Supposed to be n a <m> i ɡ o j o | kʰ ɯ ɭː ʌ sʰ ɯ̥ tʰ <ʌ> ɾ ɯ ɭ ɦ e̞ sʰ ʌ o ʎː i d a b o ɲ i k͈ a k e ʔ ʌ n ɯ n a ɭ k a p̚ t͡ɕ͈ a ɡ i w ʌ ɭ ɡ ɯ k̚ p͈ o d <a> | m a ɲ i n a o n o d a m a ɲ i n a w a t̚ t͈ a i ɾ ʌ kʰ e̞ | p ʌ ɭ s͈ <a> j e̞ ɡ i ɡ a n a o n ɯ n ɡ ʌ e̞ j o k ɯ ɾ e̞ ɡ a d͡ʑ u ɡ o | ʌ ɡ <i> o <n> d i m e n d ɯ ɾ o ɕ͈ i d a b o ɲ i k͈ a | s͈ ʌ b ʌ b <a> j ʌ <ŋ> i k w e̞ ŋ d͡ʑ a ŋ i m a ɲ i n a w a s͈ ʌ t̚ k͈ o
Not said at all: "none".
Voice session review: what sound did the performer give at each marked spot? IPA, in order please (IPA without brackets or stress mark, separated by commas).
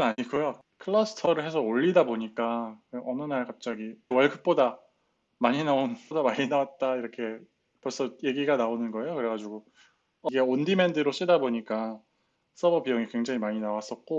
ɲ, ʌ, a, ʌ, e, n, i, ŋ